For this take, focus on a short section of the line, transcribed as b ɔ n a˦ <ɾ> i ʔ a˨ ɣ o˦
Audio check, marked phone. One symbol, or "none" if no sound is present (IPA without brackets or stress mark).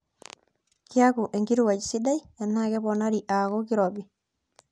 ɾ